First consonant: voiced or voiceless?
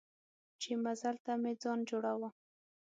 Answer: voiceless